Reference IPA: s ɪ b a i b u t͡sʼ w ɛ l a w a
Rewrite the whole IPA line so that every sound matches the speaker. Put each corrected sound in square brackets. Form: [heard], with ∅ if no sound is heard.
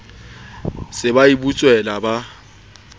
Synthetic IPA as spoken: s ɪ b a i b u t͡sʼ w ɛ l a [b] a